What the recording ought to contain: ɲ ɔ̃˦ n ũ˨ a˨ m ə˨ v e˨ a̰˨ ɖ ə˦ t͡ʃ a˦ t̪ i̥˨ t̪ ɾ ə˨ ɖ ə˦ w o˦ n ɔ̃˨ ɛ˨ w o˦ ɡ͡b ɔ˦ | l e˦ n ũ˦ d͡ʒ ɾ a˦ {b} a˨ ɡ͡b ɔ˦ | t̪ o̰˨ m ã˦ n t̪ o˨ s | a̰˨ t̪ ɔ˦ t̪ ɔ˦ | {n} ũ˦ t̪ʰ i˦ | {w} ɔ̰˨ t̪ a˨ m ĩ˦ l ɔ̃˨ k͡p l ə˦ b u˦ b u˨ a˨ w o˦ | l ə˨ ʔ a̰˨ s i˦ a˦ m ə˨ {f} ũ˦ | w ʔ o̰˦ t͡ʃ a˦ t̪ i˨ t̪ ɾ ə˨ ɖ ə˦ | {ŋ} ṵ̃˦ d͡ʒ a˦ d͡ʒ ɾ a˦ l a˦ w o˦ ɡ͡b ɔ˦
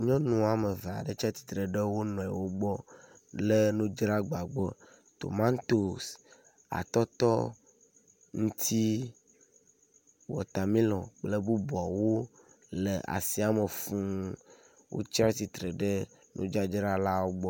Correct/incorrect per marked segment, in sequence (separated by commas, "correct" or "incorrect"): incorrect, incorrect, correct, correct, incorrect